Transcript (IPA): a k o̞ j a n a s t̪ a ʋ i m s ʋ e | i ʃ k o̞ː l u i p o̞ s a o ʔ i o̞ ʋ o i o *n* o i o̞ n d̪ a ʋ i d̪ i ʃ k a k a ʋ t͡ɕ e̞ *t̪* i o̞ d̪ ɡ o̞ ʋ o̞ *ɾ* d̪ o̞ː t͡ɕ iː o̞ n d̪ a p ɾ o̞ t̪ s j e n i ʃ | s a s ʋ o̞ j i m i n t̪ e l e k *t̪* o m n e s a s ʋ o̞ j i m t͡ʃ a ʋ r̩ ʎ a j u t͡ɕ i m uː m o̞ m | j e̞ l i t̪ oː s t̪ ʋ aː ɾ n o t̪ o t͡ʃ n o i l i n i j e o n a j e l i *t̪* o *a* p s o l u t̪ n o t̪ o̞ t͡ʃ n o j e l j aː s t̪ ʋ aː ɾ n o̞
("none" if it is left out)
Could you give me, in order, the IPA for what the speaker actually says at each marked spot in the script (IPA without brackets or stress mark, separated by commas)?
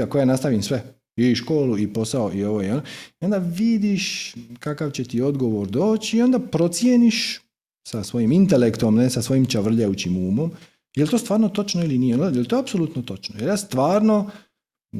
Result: n, t̪, ɾ, t̪, t̪, a